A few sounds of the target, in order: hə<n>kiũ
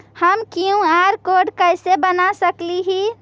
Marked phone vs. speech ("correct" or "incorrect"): incorrect